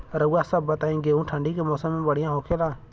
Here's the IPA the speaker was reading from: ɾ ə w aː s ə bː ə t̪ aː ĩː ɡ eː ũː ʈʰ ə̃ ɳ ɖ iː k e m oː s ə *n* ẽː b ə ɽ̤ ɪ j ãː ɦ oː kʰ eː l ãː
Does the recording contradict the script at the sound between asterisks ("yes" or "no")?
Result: yes